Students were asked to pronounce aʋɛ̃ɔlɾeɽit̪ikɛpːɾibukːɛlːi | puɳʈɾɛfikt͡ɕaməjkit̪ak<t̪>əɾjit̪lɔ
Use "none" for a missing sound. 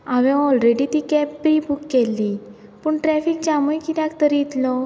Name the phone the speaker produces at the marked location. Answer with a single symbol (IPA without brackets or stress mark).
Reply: t̪